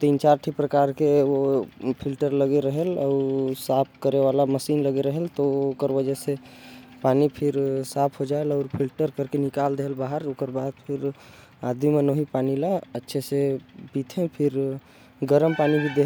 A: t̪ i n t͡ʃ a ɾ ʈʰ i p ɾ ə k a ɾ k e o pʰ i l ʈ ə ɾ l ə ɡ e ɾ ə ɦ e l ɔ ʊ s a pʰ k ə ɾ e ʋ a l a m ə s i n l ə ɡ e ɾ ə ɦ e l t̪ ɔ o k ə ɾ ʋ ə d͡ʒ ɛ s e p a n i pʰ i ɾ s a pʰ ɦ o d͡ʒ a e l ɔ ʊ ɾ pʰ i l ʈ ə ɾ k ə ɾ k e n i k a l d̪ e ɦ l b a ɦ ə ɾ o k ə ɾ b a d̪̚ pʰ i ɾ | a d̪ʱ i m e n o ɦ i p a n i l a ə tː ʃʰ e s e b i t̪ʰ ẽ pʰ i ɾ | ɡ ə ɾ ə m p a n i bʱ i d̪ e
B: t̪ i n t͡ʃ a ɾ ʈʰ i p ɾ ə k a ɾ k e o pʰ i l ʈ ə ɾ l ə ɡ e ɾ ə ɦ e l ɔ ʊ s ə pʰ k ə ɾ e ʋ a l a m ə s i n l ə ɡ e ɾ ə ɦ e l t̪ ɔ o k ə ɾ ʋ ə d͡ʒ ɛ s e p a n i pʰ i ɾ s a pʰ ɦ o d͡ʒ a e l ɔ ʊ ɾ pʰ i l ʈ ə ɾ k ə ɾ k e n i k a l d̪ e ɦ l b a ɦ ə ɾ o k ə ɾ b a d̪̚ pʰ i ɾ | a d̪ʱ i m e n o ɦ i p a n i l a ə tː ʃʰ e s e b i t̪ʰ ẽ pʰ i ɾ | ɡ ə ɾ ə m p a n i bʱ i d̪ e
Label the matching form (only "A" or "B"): A